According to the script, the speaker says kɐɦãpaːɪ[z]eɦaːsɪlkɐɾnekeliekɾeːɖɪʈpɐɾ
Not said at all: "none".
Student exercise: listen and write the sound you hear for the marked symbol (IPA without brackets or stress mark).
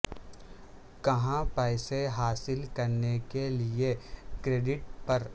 s